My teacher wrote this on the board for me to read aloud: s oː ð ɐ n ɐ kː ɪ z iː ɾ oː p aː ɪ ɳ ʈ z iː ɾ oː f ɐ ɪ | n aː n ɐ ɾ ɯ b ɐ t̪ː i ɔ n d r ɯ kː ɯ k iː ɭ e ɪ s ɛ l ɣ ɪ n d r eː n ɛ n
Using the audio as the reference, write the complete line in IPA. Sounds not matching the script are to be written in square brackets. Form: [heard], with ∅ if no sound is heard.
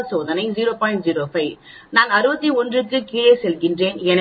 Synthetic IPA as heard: s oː ð ɐ n ɐ [∅] ɪ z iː ɾ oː p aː ɪ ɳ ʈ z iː ɾ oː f ɐ ɪ | n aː n ɐ ɾ ɯ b ɐ t̪ː i ɔ n d r ɯ kː ɯ k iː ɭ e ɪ s ɛ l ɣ ɪ n d r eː n ɛ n

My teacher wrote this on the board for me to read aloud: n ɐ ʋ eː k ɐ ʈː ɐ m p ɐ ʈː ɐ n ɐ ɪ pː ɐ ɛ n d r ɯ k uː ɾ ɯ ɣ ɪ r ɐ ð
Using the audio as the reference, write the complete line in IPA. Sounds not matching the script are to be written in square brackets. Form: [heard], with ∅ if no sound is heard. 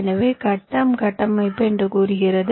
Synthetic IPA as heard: n ɐ ʋ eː k ɐ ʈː ɐ m [k] ɐ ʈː ɐ [m] ɐ ɪ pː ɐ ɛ n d r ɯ k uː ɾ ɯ ɣ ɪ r ɐ ð

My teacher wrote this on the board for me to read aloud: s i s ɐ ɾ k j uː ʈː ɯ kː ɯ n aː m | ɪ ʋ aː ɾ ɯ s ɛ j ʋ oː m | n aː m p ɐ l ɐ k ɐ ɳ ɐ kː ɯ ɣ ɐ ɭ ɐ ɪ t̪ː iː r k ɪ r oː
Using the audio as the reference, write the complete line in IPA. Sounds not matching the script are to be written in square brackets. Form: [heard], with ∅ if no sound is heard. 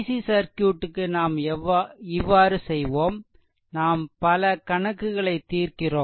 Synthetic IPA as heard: s i s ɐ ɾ k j uː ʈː ɯ kː ɯ n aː m | ɪ [ʋː] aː ɾ ɯ s ɛ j ʋ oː m | n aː m p ɐ l ɐ k ɐ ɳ ɐ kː ɯ ɣ ɐ ɭ ɐ ɪ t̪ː iː r k ɪ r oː

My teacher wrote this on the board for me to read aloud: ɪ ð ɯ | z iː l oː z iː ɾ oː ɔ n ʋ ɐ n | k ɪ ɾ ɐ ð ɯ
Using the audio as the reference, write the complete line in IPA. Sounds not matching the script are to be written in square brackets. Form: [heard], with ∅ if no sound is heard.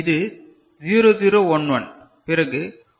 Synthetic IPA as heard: ɪ ð ɯ | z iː [ɾ] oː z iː ɾ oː ɔ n ʋ ɐ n | [p] ɪ ɾ ɐ [ɣ] ɯ

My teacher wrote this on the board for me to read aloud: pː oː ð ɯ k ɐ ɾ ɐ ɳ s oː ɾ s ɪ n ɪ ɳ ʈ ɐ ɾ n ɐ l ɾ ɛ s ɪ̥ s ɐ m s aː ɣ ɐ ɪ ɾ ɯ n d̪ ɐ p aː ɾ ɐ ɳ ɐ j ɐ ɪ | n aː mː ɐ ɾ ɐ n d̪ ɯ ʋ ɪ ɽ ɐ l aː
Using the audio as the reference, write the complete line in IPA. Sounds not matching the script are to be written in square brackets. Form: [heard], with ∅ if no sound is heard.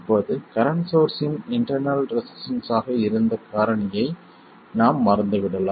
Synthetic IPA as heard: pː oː ð ɯ k ɐ ɾ ɐ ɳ s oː ɾ s ɪ n ɪ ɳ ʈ ɐ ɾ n ɐ l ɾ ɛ s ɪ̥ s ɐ [n] s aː ɣ ɐ ɪ ɾ ɯ n d̪ ɐ [k] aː ɾ ɐ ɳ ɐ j ɐ ɪ | n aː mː ɐ ɾ ɐ n d̪ ɯ ʋ ɪ ɽ ɐ l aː

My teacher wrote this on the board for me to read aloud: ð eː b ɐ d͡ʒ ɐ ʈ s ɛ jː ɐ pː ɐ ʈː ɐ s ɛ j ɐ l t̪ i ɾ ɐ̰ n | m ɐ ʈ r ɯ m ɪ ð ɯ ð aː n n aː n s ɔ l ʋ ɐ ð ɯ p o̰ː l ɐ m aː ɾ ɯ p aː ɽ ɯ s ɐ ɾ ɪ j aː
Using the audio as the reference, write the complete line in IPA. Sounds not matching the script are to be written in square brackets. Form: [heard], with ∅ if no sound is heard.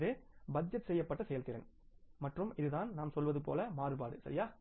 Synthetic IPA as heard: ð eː b ɐ d͡ʒ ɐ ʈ s ɛ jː ɐ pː ɐ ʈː ɐ s ɛ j ɐ l t̪ [ɪ] ɾ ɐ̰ n | m ɐ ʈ r ɯ m ɪ ð ɯ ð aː n n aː [m] s ɔ l ʋ ɐ ð ɯ p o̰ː l ɐ m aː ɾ ɯ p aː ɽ ɯ s ɐ ɾ ɪ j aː

